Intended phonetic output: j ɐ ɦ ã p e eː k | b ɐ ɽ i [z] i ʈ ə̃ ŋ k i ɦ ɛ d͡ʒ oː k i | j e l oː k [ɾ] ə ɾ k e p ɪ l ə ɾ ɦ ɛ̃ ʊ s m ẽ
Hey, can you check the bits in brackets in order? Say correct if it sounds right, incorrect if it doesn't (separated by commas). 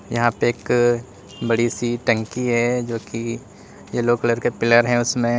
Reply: incorrect, incorrect